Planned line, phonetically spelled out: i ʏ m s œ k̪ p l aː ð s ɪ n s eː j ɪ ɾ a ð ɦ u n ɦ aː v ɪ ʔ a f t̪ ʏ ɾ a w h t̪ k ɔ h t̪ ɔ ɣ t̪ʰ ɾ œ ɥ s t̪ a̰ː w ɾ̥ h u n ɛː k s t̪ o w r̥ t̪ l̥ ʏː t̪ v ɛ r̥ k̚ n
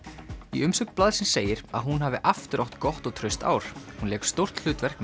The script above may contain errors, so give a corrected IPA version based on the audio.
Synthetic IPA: i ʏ m s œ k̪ p l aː ð s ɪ n s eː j ɪ ɾ a ð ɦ u n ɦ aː v ɪ ʔ a f t̪ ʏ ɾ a w h t̪ k ɔ h t̪ ɔ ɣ t̪ʰ ɾ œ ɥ s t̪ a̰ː w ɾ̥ h u n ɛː k s t̪ o w r̥ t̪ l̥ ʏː t̪ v ɛ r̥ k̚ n

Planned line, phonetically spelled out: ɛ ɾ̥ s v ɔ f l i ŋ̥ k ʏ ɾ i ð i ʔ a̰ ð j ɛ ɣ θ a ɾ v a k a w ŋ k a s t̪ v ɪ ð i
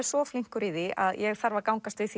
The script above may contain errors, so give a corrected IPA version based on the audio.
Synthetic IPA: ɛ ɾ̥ s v ɔ f l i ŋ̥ k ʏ ɾ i ð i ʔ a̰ ð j ɛ ɣ θ a ɾ v a k a w ŋ k a s t̪ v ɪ θ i

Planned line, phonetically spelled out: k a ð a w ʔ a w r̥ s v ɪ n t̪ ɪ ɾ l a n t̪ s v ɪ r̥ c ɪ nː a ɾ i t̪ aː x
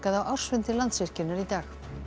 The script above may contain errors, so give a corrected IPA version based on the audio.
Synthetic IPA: k a ð a w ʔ a w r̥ s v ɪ n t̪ ɪ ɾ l a n t̪ s v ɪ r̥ c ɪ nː a ɾ i t̪ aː x

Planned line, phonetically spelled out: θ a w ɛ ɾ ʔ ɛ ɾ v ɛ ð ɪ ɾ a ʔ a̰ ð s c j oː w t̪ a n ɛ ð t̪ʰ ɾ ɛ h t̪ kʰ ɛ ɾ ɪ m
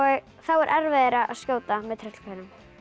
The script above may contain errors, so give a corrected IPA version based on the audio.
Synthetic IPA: θ a w ɛ ɾ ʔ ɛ ɾ v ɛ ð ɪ ɾ a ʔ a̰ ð s c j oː w t̪ a m ɛ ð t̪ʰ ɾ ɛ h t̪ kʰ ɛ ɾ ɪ m

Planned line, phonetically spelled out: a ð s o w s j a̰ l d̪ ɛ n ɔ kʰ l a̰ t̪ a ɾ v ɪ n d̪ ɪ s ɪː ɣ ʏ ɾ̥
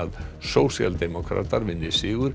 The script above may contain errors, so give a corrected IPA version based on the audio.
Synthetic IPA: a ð s o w s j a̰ l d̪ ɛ m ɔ kʰ ɾ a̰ t̪ a ɾ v ɪ n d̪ ɪ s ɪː ɣ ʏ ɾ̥

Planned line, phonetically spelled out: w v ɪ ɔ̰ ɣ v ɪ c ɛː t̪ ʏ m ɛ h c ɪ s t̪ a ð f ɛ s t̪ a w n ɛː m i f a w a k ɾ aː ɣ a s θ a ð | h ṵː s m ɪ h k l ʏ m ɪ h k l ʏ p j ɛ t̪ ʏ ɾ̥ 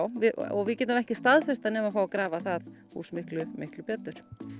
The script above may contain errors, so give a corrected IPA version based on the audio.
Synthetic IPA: w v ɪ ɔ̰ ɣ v ɪ c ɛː t̪ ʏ m ɛ h c ɪ s t̪ a ð f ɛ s t̪ a n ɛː m a f a w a k ɾ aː v a θ a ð | h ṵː s m ɪ h k l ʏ m ɪ h k l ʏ p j ɛ t̪ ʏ ɾ̥

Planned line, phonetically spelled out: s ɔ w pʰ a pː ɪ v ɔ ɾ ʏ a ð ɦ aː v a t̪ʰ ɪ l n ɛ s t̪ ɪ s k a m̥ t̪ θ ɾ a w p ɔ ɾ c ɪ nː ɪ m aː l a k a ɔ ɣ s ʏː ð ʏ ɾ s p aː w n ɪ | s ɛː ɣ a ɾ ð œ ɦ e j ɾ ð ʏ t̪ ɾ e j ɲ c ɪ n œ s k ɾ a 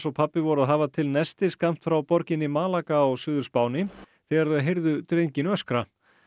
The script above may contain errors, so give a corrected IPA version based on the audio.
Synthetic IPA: s ɔ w pʰ a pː ɪ v ɔ ɾ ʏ a ð ɦ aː v a t̪ʰ ɪ l n ɛ s t̪ ɪ s k a m̥ t̪ f ɾ a w p ɔ ɾ c ɪ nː ɪ m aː l a k a ɔ ɣ s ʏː ð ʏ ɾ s p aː w n ɪ | θ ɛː ɣ a ɾ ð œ ɦ e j ɾ ð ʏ t̪ ɾ e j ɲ c ɪ n œ s k ɾ a

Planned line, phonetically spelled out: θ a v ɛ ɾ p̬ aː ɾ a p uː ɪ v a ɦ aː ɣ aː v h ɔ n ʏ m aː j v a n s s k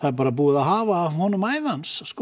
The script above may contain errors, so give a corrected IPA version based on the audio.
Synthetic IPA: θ a ð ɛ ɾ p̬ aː ɾ a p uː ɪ ð a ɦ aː v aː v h ɔ n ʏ m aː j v a n s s k

